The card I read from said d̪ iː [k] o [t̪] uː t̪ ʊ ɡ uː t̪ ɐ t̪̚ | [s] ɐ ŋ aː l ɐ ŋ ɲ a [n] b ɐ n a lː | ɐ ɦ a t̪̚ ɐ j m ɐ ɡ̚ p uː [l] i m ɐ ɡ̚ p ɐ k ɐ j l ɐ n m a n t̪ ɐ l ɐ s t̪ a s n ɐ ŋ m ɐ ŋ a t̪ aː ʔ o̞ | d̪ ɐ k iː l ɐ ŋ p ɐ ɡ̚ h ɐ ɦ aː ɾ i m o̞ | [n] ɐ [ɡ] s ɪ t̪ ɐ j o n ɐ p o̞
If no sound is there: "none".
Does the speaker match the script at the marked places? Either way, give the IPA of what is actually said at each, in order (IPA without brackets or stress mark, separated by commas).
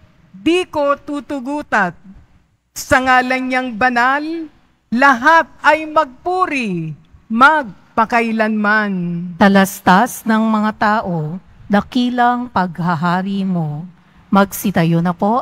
k, t̪, s, ŋ, ɾ, m, ɡ